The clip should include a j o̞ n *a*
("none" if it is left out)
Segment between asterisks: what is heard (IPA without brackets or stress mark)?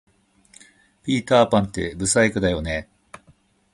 e